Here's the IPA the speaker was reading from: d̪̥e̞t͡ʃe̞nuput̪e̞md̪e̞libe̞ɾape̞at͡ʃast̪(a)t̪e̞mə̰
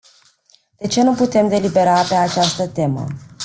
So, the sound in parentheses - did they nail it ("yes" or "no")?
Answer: no